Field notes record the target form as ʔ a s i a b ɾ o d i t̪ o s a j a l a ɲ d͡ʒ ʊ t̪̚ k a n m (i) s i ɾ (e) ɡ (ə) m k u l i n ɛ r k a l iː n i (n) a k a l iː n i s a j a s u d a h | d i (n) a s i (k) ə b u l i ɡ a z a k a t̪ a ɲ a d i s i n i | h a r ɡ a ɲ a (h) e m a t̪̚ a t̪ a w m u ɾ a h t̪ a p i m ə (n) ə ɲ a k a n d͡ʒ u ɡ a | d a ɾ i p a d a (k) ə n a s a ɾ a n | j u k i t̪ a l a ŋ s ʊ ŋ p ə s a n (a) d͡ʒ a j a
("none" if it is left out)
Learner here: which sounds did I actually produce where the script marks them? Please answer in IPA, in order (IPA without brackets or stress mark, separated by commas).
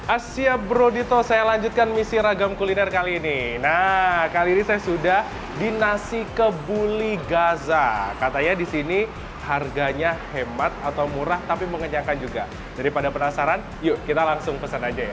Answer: i, a, a, n, n, k, h, ŋ, p, a